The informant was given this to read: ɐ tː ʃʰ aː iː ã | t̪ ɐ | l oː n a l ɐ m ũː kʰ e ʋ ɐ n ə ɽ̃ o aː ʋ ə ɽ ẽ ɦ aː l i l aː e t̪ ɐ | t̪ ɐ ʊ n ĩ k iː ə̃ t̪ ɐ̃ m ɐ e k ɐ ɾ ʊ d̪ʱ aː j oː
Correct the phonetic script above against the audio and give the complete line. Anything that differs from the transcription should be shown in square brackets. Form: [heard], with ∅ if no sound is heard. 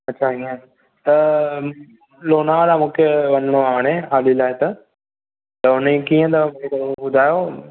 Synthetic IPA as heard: ɐ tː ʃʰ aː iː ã | t̪ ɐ | l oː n a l [a] m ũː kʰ e ʋ ɐ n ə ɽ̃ o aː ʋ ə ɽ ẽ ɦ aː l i l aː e t̪ ɐ | t̪ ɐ ʊ n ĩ k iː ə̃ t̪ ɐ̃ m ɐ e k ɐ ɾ ʊ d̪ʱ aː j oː